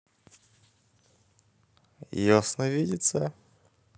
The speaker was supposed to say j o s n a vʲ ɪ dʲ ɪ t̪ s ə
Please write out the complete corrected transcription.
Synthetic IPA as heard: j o s n ə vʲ i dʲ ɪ t̪ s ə